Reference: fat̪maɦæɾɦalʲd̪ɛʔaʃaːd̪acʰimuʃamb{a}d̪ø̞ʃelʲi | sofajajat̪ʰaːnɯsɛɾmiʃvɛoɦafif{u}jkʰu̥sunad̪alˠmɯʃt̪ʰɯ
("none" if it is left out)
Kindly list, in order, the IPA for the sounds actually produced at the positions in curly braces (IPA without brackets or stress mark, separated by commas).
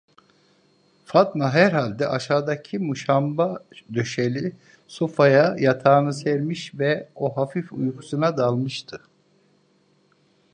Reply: a, u